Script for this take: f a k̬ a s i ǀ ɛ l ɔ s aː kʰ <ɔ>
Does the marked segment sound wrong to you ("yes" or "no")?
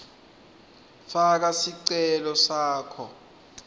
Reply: no